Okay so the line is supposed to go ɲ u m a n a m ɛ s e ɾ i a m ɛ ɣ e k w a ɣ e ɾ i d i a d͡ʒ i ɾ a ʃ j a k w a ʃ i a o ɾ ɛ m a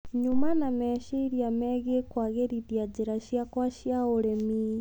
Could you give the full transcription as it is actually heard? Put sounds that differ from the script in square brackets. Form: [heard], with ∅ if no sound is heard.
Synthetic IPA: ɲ u m a n a m ɛ [ʃ] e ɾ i a m ɛ ɣ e k w a ɣ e ɾ i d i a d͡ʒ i ɾ a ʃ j a k w a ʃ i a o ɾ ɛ m [i]

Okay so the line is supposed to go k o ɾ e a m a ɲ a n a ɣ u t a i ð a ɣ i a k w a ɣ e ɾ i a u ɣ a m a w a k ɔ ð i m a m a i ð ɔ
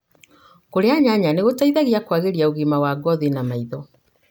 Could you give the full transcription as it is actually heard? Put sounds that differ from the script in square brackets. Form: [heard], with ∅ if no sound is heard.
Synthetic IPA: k o ɾ e a [ɲ] a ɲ a n [e] ɣ [o] t a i ð a ɣ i a k w a ɣ e ɾ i a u ɣ [i] m a w a [ɡ] ɔ ð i [n] a m a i ð ɔ

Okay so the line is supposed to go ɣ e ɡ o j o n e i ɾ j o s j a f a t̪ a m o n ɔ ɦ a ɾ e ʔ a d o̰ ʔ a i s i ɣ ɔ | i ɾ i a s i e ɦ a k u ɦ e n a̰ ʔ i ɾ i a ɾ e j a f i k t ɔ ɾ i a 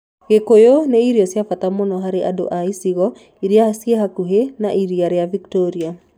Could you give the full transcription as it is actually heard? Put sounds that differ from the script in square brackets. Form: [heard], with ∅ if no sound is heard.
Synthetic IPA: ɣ e [k] o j o n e i ɾ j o s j a f a t̪ a m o n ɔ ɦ a ɾ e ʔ a d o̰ ʔ a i s i ɣ ɔ | i ɾ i a s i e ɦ a k u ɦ e n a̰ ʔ i ɾ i a ɾ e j a [v] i k t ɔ ɾ i a

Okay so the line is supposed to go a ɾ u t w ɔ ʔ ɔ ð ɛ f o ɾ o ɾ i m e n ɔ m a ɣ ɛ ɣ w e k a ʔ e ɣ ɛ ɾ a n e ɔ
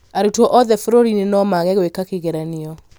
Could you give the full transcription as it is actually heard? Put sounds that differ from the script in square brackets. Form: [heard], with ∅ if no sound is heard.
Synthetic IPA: a ɾ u t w ɔ ʔ ɔ ð ɛ f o ɾ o ɾ i [n] e n ɔ m a ɣ ɛ ɣ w e k a [k] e ɣ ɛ ɾ a n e ɔ

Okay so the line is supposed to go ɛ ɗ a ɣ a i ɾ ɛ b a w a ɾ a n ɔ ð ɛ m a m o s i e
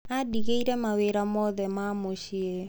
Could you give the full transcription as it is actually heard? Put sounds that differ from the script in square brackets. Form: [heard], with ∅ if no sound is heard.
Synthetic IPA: [a] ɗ [i] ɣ [e] i ɾ ɛ [m] a w [e] ɾ a [m] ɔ ð ɛ m a m o [ʃ] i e

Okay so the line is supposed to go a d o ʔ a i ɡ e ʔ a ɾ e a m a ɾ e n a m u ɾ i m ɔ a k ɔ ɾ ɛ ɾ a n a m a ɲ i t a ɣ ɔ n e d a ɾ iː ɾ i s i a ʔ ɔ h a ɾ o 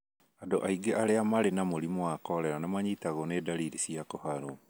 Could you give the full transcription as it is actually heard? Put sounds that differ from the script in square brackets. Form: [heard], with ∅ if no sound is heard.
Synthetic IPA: a d o ʔ a i ɡ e ʔ a ɾ e a m a ɾ e n a m [o] ɾ i m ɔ a k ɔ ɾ ɛ ɾ a n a m a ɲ i t a ɣ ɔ n e d a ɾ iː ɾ i s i a [k] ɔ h a ɾ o

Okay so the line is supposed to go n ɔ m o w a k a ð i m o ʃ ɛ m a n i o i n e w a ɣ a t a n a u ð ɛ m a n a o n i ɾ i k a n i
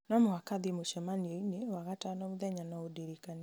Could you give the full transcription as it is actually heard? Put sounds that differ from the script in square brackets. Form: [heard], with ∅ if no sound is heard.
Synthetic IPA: n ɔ m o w a k a ð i m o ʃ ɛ m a n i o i n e w a ɣ a t a n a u ð ɛ [ɲ] a n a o [d] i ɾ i k a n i

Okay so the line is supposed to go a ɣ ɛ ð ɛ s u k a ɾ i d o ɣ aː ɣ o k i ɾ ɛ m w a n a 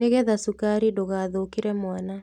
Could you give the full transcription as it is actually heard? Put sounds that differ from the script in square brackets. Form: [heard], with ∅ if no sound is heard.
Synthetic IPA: [e] ɣ ɛ ð [a] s u k a ɾ i d o ɣ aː [ð] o k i ɾ ɛ m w a n a

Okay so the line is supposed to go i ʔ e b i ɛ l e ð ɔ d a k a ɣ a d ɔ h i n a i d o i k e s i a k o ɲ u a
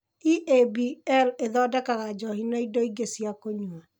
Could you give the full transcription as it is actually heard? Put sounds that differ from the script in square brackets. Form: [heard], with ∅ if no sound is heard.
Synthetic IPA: i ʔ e b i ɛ l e ð ɔ d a k a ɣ a [d͡ʒ] ɔ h i n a i d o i [ɡ] e s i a k o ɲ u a

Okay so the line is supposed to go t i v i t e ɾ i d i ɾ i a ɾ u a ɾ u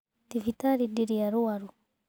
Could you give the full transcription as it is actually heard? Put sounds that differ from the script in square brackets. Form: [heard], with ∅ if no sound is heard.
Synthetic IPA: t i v i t [a] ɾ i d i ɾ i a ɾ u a ɾ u

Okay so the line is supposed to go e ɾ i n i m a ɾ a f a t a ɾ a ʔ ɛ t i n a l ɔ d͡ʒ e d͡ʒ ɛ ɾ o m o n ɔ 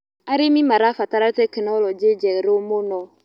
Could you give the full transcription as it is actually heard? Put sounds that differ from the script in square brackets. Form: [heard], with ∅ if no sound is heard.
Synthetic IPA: [a] ɾ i [m] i m a ɾ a f a t a ɾ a [t] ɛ [k] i n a l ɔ d͡ʒ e d͡ʒ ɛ ɾ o m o n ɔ

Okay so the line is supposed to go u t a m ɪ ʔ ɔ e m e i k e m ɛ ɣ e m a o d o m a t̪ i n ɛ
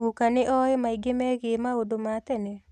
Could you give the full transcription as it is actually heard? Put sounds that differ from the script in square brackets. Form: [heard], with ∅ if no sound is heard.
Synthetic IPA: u [k] a [n] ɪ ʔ ɔ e m [a] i [ɡ] e m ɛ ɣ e m a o d o m a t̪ [ɛ] n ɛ

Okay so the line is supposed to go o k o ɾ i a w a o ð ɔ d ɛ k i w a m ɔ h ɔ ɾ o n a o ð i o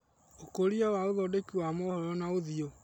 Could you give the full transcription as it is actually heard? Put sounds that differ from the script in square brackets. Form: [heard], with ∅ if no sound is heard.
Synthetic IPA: o k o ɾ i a w a o ð ɔ d [e] k i w a m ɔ h ɔ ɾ [ɔ] n a o ð i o

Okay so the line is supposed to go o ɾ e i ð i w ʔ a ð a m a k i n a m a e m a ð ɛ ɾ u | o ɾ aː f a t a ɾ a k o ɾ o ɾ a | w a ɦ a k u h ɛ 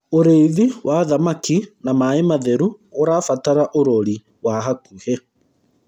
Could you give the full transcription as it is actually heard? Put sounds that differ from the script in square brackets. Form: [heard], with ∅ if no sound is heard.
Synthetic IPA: o ɾ e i ð i w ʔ a ð a m a k i n a m a e m a ð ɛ ɾ u | o ɾ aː f a t a ɾ a [ʔ] o ɾ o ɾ [i] | w a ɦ a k u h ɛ

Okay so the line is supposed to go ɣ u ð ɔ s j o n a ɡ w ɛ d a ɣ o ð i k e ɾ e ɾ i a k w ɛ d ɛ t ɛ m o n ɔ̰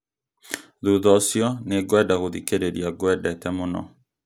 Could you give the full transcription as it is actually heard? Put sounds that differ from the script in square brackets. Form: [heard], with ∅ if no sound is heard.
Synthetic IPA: [ð] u ð ɔ s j [ɔ] n [e] ɡ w ɛ d a ɣ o ð i k e ɾ e ɾ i a [ɡ] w ɛ d ɛ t ɛ m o n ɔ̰

